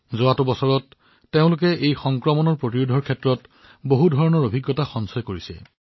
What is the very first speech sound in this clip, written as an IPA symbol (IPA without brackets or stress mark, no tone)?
z